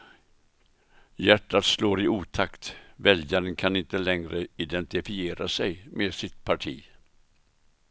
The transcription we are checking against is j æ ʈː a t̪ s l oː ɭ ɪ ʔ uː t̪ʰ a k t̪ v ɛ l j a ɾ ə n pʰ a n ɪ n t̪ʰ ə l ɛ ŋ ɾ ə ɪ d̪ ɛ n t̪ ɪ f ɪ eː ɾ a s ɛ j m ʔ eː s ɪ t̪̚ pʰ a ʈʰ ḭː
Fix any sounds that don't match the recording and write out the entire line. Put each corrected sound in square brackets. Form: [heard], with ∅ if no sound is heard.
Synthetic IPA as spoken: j æ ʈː a t̪ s l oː [ɾ] ɪ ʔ uː t̪ʰ a k t̪ v ɛ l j a ɾ ə n [kʰ] a n ɪ n [t̪] ə l ɛ ŋ ɾ ə ɪ d̪ ɛ n t̪ ɪ f ɪ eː ɾ a s ɛ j m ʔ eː s ɪ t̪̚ pʰ a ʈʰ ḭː